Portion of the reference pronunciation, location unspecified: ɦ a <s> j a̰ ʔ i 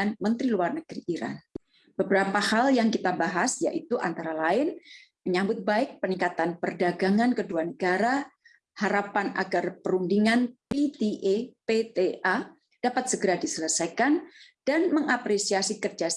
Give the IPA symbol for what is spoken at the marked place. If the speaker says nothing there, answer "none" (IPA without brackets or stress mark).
s